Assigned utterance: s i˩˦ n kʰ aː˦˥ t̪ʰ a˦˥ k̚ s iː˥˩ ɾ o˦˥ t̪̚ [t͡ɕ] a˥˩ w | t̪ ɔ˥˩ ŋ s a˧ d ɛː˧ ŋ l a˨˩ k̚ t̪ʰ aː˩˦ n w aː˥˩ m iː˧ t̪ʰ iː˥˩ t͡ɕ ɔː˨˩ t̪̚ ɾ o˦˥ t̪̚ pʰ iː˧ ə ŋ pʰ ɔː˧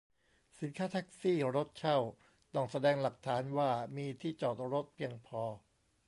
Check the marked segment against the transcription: incorrect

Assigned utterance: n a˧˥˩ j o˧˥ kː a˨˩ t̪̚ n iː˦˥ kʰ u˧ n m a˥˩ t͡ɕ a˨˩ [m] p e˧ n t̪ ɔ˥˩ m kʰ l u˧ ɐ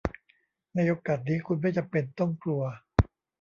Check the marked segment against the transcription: correct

